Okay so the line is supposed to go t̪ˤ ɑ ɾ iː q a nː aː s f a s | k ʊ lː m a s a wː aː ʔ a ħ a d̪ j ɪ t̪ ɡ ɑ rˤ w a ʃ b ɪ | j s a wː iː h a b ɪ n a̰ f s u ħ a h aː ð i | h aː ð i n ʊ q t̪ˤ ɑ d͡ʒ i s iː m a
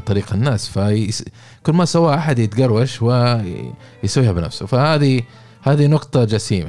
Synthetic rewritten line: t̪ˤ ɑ ɾ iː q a nː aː s f a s | k ʊ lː m a s a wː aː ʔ a ħ a d̪ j ɪ t̪ ɡ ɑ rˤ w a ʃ w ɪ | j s a wː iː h a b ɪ n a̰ f s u f a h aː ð i | h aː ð i n ʊ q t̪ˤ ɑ d͡ʒ a s iː m a